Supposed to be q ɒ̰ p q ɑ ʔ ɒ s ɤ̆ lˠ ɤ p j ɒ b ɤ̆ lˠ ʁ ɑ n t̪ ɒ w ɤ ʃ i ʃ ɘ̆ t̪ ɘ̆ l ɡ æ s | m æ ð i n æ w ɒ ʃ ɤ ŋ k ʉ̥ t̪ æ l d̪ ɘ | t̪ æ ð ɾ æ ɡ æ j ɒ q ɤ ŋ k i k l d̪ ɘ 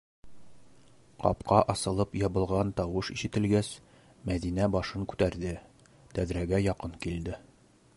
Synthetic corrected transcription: q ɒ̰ p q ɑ ʔ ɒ s ɤ̆ lˠ ɤ p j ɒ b ɤ̆ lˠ ʁ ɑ n t̪ ɒ w ɤ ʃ i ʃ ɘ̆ t̪ ɘ̆ l ɡ æ s | m æ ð i n æ b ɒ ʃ ɤ ŋ k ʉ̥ t̪ æ ɾ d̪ ɘ | t̪ æ ð ɾ æ ɡ æ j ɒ q ɤ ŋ k i l d̪ ɘ

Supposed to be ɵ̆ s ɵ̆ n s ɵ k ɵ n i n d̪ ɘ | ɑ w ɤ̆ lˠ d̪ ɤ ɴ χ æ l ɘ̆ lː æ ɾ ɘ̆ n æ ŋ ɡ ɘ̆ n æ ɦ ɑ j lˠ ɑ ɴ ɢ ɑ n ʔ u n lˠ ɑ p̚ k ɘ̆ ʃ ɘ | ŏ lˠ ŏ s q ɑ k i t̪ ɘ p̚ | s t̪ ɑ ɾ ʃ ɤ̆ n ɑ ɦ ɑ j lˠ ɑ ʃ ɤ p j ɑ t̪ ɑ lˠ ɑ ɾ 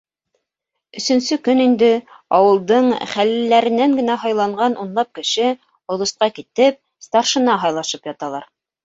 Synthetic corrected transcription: ɵ̆ s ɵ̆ n s ɵ k ɵ n i n d̪ ɘ | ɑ w ɤ̆ lˠ d̪ ɤ ɴ χ æ l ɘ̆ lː æ ɾ ɘ̆ n æ ŋ ɡ ɘ̆ n æ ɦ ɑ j lˠ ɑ ɴ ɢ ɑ n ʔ u n lˠ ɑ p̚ k ɘ̆ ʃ ɘ | ŏ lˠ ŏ s q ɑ k i t̪ ɘ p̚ | s t̪ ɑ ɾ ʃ ɤ̆ n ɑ ɦ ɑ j lˠ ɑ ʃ ɤ p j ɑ t̪ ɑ lˠ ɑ ɾ

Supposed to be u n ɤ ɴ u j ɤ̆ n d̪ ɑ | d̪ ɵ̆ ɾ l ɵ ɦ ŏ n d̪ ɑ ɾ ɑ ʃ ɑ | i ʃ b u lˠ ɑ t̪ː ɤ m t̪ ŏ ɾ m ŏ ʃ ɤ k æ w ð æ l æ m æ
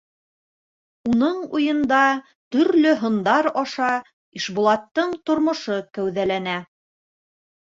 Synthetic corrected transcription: u n ɤ ɴ u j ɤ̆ n d̪ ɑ | t̪ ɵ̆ ɾ l ɵ ɦ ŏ n d̪ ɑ ɾ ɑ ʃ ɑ | i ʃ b u lˠ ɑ t̪ː ɤ ɴ t̪ ŏ ɾ m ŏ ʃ ɤ k æ w ð æ l æ n æ

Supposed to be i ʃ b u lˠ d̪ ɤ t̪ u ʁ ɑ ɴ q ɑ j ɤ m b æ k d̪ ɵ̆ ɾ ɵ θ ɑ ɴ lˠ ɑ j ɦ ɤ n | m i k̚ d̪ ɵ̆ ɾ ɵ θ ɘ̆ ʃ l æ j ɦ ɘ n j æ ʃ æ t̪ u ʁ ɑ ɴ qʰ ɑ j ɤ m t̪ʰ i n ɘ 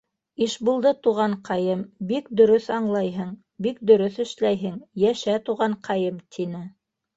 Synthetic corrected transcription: i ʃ b u lˠ d̪ ɤ t̪ u ʁ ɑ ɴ q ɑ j ɤ m b i k d̪ ɵ̆ ɾ ɵ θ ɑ ɴ lˠ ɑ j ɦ ɤ ɴ | b i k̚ d̪ ɵ̆ ɾ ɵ θ ɘ̆ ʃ l æ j ɦ ɘ ŋ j æ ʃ æ t̪ u ʁ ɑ ɴ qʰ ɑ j ɤ m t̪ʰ i n ɘ

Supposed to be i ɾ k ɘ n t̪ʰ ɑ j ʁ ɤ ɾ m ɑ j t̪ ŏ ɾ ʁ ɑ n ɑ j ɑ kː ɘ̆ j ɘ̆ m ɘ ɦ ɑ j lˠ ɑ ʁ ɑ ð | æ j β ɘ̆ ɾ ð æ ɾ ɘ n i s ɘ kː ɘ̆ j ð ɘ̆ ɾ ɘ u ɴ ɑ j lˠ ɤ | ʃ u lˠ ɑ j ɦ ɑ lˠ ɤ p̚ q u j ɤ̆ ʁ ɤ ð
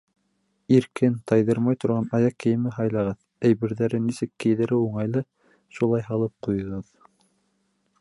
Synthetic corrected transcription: i ɾ k ɘ n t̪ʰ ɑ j ð ɤ ɾ m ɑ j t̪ ŏ ɾ ʁ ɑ n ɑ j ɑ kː ɘ̆ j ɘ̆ m ɘ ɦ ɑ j lˠ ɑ ʁ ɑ ð | æ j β ɘ̆ ɾ ð æ ɾ ɘ n i s ɘ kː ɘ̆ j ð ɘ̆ ɾ ɘ u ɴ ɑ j lˠ ɤ | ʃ u lˠ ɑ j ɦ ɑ lˠ ɤ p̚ q u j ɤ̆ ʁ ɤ ð

